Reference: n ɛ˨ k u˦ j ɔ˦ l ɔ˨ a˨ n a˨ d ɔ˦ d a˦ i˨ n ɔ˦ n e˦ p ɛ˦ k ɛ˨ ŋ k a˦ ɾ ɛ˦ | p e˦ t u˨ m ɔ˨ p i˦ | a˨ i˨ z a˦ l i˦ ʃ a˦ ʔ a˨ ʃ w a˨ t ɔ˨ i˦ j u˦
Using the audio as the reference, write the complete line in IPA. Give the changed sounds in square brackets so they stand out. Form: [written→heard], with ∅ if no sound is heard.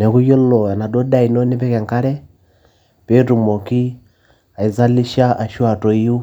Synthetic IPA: n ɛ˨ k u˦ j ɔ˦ l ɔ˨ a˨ n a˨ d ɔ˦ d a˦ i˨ n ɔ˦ n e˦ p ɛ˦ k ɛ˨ ŋ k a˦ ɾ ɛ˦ | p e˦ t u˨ m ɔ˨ [p→k] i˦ | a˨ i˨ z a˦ l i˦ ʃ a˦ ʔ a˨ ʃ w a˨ t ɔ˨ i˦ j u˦